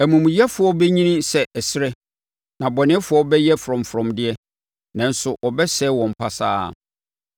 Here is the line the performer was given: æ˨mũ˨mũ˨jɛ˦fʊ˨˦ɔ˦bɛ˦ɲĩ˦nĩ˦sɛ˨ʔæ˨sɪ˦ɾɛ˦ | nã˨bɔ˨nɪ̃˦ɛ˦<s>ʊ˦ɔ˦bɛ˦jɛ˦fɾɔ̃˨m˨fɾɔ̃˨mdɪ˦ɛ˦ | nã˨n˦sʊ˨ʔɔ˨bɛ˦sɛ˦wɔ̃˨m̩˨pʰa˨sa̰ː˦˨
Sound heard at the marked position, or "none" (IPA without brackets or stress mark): f